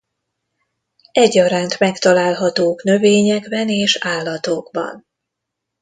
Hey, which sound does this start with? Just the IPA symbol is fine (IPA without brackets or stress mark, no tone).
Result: ɛ